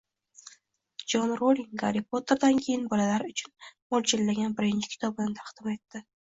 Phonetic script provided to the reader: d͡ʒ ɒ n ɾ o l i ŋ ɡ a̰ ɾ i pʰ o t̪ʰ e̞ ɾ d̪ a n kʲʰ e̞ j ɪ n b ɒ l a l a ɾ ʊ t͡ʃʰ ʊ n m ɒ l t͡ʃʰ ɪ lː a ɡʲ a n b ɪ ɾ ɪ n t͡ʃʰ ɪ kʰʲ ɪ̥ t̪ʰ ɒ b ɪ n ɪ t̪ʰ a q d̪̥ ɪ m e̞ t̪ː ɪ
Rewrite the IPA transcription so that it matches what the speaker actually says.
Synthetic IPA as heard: d͡ʒ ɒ n ɾ o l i ŋ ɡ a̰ ɾ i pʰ o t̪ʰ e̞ ɾ d̪ a n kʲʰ e̞ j ɪ n b ɒ l a l a ɾ ʊ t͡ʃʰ ʊ n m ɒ l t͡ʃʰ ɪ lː a ɡʲ a n b ɪ ɾ ɪ n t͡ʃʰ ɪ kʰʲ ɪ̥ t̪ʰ ɒ b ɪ n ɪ t̪ʰ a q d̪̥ ɪ m e̞ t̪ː ɪ